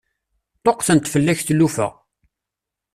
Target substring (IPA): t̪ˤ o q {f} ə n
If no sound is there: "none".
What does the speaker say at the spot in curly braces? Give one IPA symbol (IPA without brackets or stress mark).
θ